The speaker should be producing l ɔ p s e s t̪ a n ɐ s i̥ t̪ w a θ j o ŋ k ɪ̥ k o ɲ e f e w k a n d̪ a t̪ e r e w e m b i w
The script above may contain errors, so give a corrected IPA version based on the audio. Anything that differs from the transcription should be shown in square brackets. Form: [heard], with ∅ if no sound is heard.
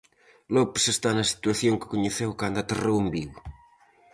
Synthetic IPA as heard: l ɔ p s e s t̪ a n ɐ s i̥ t̪ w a θ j o ŋ k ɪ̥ k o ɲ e [θ] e w k a n d̪ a t̪ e r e w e m b i w

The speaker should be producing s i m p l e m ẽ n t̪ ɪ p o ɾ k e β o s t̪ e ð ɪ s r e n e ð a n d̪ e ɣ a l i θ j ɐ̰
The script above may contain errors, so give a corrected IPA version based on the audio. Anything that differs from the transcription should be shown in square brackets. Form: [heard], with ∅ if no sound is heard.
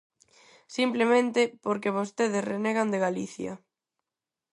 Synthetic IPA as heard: s i m p l e m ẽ n t̪ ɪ p o ɾ k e β o s t̪ e ð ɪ s r e n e [ɣ] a n d̪ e ɣ a l i θ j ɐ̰

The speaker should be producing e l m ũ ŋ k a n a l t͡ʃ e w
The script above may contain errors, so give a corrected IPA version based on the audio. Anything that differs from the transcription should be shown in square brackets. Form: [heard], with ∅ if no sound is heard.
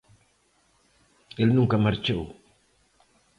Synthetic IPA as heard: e l [n] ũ ŋ k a [m] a [ɾ] t͡ʃ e w

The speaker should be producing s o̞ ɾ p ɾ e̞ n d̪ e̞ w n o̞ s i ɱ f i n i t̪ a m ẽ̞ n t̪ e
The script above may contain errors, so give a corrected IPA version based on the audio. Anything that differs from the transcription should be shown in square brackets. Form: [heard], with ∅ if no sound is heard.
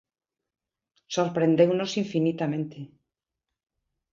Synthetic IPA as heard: s o̞ ɾ p ɾ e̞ n d̪ e̞ w n o̞ s i ɱ f i n i t̪ a m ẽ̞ n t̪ e

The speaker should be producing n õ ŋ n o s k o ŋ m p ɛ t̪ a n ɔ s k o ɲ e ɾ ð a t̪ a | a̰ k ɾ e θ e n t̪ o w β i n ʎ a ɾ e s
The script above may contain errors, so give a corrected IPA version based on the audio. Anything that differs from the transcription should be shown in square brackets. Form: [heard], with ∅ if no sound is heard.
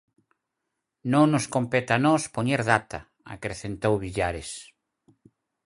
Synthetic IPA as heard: n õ ŋ n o s k o [∅] m p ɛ t̪ a n ɔ s [p] o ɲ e ɾ ð a t̪ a | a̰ k ɾ e θ e n t̪ o w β i [∅] ʎ a ɾ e s

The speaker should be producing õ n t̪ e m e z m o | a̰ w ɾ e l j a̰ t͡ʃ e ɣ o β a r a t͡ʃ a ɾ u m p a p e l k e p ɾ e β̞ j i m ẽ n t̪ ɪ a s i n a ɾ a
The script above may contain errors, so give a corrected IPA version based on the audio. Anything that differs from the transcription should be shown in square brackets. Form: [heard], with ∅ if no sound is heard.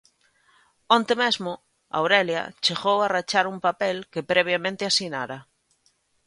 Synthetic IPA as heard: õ n t̪ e m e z m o | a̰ w ɾ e l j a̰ t͡ʃ e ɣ o [w] a r a t͡ʃ a ɾ u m p a p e l k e p ɾ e β̞ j [a] m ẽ n t̪ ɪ a s i n a ɾ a

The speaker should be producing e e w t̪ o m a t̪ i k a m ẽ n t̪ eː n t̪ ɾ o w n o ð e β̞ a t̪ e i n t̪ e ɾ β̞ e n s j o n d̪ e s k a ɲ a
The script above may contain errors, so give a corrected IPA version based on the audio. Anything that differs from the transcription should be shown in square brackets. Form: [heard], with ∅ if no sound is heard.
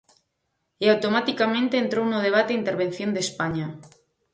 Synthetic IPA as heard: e [a] w t̪ o m a t̪ i k a m ẽ n t̪ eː n t̪ ɾ o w n o ð e β̞ a t̪ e i n t̪ e ɾ β̞ e n [θ] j o n d̪ e s [p] a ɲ a

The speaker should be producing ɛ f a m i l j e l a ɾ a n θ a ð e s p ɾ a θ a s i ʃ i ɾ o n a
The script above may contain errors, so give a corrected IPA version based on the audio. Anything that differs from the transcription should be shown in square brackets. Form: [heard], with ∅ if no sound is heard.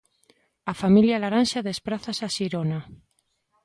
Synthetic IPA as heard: [a] f a m i l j [a] l a ɾ a n [ʃ] a ð e s p ɾ a θ a s [a] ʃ i ɾ o n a

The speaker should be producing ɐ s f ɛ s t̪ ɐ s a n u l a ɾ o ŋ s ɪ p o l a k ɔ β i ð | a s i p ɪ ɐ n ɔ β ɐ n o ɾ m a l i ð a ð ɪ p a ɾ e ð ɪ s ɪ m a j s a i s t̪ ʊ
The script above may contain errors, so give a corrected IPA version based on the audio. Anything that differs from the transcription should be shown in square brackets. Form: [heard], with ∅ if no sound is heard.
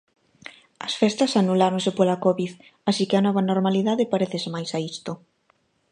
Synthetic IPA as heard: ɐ s f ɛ s t̪ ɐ s a n u l a ɾ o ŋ s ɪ p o l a k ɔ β i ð | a s i [k] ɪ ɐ n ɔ β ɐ n o ɾ m a l i ð a ð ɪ p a ɾ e [θ] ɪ s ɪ m a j s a i s t̪ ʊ

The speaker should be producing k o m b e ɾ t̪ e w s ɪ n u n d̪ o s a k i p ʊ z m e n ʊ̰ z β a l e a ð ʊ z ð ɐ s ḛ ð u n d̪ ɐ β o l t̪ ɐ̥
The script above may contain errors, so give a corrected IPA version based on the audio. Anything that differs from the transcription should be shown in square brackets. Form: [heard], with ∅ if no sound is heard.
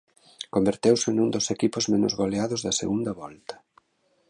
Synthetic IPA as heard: k o m b e ɾ t̪ e w s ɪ n u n d̪ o s [e] k i p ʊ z m e n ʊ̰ z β a l e a ð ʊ z ð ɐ s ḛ [ɣ] u n d̪ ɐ β [ɔ] l t̪ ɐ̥

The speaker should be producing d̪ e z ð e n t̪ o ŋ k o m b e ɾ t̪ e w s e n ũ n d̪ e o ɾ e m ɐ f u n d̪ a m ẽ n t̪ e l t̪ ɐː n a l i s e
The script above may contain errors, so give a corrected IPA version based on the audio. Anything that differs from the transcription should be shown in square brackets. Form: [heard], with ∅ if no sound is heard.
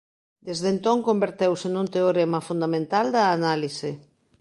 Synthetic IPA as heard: d̪ e z ð e n t̪ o ŋ k o m b e ɾ t̪ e w s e n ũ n [t̪] e o ɾ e m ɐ f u n d̪ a m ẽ n t̪ [a] l [d̪] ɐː n a l i s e

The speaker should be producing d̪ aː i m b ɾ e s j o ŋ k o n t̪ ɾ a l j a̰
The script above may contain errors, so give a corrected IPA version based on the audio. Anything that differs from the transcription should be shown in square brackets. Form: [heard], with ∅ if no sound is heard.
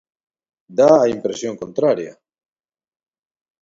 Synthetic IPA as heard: d̪ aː i m [p] ɾ e s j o ŋ k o n t̪ ɾ a [ɾ] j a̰

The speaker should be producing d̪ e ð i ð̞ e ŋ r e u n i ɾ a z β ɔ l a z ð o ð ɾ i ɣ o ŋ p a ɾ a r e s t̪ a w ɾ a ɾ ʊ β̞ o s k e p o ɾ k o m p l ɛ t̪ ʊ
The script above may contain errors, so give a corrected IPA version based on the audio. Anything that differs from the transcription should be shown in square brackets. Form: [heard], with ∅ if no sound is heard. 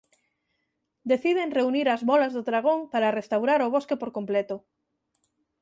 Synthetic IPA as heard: d̪ e [θ] i ð̞ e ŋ r e u n i ɾ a z β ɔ l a z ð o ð ɾ [a] ɣ o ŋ p a ɾ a r e s t̪ a w ɾ a ɾ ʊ β̞ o s k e p o ɾ k o m p l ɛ t̪ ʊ

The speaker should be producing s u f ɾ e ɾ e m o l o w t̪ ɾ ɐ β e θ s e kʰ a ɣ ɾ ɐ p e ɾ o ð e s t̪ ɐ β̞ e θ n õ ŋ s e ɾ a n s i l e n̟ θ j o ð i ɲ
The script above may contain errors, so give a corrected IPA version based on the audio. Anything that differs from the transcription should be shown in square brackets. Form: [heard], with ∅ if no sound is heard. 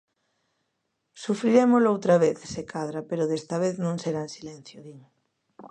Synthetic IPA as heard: s u f ɾ [i] ɾ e m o l o w t̪ ɾ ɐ β e θ s e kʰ a [ð] ɾ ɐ p e ɾ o ð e s t̪ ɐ β̞ e θ n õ ŋ s e ɾ a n s i l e n̟ θ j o ð i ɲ

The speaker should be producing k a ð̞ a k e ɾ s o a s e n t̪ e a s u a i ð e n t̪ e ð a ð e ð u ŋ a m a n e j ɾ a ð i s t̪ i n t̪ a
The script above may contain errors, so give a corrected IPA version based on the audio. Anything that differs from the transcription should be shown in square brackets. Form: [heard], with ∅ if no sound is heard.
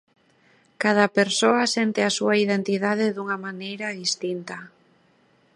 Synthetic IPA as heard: k a ð̞ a [p] e ɾ s o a s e n t̪ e a s u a i ð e n t̪ [i] ð a ð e ð u ŋ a m a n e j ɾ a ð i s t̪ i n t̪ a

